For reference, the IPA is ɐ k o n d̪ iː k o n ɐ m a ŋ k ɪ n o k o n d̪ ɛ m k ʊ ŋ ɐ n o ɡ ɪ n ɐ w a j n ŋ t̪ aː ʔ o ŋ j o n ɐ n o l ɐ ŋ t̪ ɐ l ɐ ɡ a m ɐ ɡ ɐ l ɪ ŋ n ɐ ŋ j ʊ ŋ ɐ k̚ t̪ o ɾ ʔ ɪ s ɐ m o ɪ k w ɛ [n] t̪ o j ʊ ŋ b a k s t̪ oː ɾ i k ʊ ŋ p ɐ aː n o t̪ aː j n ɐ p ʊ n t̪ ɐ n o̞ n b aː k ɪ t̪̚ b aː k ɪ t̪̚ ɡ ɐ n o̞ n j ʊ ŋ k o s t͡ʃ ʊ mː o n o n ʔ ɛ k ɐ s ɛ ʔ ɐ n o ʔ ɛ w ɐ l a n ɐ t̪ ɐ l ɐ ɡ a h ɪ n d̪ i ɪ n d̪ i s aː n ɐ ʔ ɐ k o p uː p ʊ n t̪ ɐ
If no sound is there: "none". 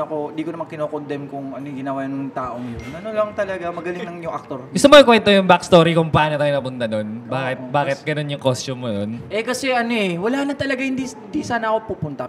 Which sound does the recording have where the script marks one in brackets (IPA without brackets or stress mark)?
n